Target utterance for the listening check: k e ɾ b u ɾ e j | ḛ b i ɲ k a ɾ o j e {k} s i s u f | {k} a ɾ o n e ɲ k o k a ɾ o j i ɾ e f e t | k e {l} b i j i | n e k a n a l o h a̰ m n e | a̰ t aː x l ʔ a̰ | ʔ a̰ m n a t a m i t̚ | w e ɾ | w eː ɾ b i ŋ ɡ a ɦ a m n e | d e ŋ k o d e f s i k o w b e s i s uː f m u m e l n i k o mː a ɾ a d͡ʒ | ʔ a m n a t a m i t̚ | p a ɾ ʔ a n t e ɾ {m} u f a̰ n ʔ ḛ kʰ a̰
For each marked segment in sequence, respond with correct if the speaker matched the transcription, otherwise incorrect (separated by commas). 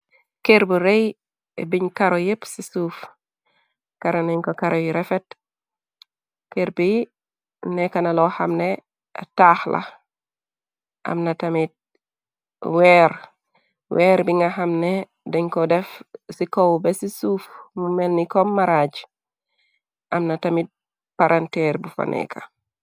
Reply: incorrect, correct, incorrect, incorrect